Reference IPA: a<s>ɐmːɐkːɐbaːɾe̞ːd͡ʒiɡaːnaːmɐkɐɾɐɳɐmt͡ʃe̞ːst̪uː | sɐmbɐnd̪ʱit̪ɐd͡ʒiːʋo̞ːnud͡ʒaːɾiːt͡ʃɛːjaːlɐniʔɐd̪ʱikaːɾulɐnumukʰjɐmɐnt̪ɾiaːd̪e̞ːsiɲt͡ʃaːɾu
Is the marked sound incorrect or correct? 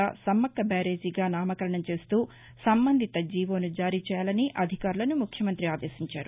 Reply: correct